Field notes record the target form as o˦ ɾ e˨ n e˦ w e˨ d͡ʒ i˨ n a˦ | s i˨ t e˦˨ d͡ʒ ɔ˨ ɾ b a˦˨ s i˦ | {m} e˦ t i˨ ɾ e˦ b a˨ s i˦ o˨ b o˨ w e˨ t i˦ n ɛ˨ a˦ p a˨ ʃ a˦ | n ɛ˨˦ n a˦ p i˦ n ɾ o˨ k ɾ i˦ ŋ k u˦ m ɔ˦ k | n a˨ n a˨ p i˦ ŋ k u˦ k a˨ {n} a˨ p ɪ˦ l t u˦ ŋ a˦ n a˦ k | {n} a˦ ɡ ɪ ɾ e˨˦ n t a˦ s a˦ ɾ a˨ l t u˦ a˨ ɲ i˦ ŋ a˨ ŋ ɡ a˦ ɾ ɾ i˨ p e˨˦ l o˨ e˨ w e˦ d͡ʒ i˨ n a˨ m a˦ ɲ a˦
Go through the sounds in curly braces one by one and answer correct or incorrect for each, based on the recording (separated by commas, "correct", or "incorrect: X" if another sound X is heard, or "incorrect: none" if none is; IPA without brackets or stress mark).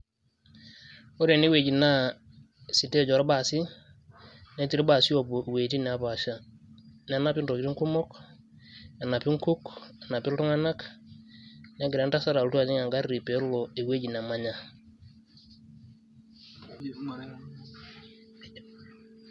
incorrect: n, correct, correct